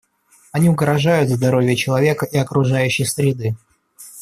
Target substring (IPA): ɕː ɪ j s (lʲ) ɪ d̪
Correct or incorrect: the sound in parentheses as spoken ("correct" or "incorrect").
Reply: incorrect